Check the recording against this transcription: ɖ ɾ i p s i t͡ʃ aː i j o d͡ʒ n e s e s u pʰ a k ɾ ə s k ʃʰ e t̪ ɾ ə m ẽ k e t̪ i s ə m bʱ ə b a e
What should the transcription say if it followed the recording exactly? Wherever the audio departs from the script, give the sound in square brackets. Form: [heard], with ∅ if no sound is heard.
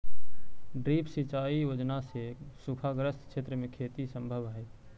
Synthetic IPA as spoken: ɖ ɾ i p s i t͡ʃ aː i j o d͡ʒ n [a] s e s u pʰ a [ɡ] ɾ ə s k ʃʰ e t̪ ɾ ə m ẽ [kʰ] e t̪ i s ə m bʱ ə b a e